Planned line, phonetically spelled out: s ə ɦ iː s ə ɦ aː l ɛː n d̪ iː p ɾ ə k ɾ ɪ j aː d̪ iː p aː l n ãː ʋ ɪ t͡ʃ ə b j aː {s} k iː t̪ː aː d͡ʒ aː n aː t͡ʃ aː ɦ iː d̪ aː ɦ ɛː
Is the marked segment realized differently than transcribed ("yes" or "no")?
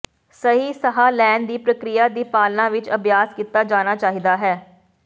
no